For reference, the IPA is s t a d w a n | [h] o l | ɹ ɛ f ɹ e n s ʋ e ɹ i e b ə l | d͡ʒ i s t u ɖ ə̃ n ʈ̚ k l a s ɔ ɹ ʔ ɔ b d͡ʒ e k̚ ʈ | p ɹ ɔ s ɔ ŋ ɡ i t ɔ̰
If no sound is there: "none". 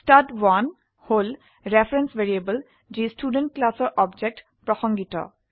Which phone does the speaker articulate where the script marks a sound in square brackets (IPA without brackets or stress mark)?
h